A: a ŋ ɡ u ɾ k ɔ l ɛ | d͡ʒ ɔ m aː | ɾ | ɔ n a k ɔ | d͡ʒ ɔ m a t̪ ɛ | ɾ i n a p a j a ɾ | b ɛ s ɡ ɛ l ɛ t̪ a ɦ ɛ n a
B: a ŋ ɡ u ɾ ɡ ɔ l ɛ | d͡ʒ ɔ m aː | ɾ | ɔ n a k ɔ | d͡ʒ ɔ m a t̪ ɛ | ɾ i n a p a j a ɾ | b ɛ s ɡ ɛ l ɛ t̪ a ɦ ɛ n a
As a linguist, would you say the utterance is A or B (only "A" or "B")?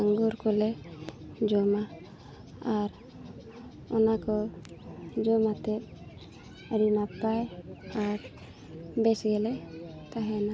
A